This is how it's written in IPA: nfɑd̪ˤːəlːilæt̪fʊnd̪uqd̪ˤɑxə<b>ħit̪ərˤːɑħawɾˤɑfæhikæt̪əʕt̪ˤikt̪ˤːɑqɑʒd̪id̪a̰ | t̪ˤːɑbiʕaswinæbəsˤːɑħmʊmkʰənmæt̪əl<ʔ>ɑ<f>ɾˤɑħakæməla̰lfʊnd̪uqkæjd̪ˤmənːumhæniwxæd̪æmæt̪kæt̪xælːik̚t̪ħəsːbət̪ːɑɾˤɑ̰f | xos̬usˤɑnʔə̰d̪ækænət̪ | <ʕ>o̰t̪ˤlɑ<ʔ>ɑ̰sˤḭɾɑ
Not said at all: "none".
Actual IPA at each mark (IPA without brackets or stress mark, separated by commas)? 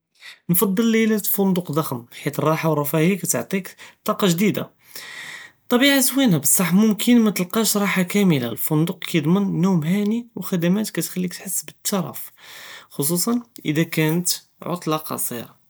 m, q, ʃ, ʕ, q